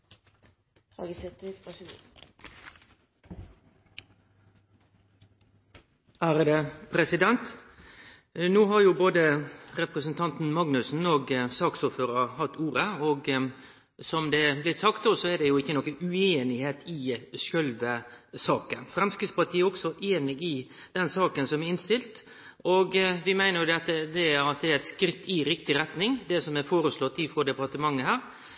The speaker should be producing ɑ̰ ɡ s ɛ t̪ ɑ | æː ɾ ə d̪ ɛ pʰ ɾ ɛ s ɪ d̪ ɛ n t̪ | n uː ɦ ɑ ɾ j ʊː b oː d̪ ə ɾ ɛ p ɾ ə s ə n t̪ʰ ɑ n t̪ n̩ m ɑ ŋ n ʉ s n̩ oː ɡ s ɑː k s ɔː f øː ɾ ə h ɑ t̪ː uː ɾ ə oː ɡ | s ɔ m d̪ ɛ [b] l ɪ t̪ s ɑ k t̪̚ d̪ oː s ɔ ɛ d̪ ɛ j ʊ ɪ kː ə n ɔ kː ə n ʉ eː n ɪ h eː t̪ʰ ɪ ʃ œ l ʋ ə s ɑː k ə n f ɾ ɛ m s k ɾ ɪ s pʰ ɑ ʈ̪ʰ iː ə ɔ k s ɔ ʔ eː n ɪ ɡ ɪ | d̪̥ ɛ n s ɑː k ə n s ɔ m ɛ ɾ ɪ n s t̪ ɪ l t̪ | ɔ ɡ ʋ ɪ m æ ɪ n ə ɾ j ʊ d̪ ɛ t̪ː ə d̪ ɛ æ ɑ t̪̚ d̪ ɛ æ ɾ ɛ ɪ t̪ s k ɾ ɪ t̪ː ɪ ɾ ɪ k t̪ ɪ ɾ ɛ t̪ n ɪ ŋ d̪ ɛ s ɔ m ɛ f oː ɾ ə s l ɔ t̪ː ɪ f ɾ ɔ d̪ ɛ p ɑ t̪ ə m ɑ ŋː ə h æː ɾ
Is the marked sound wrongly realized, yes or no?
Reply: no